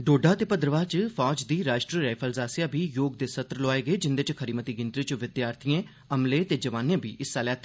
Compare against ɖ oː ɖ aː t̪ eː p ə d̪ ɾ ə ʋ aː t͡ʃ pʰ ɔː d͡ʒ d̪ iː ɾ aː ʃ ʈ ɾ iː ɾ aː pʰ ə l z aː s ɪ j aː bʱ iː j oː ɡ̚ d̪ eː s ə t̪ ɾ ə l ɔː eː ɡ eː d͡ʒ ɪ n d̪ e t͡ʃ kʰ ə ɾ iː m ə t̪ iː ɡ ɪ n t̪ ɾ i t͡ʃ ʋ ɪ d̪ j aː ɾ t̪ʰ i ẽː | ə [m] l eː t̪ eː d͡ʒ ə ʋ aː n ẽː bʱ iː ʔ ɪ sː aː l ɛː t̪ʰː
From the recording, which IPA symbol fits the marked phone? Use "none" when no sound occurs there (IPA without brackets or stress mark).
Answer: m